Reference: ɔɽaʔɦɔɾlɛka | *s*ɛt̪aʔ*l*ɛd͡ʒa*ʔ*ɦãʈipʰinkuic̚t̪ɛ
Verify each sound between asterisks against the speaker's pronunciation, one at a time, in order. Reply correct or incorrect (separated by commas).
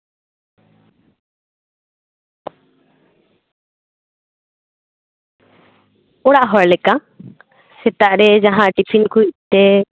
correct, incorrect, incorrect